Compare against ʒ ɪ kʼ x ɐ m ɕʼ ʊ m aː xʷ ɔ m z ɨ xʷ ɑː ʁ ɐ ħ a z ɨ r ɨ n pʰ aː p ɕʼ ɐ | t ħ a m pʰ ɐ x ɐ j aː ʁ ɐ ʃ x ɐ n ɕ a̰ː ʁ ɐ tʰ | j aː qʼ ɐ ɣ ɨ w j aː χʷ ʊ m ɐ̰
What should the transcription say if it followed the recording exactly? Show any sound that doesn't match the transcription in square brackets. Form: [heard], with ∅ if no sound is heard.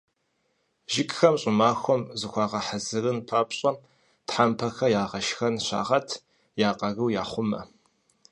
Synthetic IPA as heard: ʒ ɪ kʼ x ɐ m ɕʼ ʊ m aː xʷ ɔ m z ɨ xʷ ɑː ʁ ɐ ħ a z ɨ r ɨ n pʰ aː p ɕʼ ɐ | t ħ a m pʰ ɐ x ɐ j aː ʁ ɐ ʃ x ɐ n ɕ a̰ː ʁ ɐ tʰ | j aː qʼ ɐ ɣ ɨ w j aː χʷ ʊ m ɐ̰